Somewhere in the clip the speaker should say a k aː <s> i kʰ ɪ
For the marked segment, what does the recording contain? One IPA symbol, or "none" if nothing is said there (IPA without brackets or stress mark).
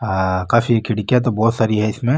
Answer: f